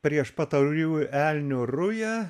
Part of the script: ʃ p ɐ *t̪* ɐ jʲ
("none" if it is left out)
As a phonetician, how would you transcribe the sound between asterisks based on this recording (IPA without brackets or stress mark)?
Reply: t̪